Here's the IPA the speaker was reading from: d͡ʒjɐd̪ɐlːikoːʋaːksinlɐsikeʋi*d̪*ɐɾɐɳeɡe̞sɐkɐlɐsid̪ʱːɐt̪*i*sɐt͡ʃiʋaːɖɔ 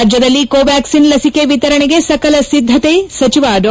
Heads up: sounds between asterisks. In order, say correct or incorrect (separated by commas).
incorrect, incorrect